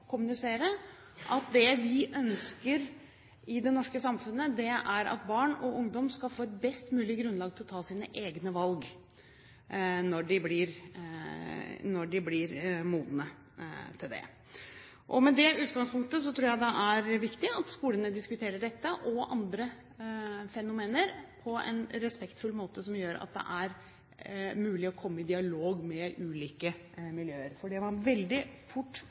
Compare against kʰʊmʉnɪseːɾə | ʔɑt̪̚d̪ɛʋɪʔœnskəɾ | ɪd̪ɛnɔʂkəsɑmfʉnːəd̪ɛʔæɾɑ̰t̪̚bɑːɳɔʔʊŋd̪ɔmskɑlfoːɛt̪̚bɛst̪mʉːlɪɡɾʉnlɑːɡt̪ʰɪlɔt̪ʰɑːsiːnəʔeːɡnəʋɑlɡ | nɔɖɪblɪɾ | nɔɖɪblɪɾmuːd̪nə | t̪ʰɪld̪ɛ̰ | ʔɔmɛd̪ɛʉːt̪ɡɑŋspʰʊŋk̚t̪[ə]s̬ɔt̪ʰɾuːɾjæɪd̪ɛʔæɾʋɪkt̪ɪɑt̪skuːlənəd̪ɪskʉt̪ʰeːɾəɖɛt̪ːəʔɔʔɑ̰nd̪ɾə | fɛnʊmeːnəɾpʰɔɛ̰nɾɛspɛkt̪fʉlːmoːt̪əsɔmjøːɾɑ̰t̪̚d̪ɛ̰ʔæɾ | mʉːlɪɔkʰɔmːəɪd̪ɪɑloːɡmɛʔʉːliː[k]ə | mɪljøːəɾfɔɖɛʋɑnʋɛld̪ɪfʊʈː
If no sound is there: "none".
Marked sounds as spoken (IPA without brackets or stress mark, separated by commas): ə, k